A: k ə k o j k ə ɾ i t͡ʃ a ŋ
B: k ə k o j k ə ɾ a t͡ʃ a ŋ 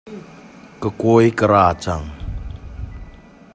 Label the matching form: B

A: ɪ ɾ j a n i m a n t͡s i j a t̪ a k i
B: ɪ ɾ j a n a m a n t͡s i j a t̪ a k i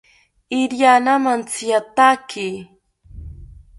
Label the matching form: B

